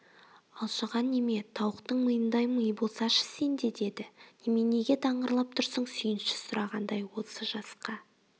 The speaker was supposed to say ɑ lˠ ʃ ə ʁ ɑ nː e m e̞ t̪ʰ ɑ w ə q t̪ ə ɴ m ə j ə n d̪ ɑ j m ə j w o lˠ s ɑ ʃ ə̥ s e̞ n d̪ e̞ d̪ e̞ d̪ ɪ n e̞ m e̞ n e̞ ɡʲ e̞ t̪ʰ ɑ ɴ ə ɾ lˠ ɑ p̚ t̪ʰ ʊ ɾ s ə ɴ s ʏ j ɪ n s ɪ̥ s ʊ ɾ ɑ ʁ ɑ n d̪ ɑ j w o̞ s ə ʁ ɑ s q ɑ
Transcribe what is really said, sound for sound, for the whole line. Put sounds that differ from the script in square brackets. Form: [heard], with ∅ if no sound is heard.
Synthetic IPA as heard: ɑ lˠ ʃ ə ʁ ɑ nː e m e̞ t̪ʰ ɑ w ə q t̪ ə ɴ m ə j ə n d̪ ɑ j m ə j [b] o lˠ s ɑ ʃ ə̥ s e̞ n d̪ e̞ d̪ e̞ d̪ ɪ n e̞ m e̞ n e̞ ɡʲ e̞ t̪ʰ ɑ ɴ ə ɾ lˠ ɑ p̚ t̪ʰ ʊ ɾ s ə ɴ s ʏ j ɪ n [ʃ] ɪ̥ s ʊ ɾ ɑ ʁ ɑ n d̪ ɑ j w o̞ s ə [ʒ] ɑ s q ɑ